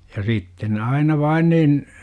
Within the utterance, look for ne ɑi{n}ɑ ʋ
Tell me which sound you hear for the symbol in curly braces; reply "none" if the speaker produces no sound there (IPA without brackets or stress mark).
n